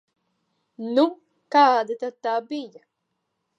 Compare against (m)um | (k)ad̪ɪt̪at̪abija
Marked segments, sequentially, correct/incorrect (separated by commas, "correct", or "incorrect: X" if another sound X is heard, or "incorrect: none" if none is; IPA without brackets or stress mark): incorrect: n, correct